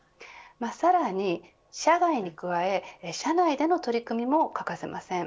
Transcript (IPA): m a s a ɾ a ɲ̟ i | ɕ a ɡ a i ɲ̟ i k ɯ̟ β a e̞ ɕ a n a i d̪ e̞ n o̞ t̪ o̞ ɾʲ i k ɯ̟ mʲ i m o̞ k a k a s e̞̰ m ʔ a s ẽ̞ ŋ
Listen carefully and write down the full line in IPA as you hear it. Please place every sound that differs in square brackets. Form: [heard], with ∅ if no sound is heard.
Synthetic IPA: m a s a ɾ a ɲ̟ i | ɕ a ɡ a i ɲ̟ i k ɯ̟ β a e̞ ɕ a n a i d̪ e̞ n o̞ t̪ o̞ ɾʲ i k ɯ̟ mʲ i m o̞ k a k a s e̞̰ m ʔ a s ẽ̞ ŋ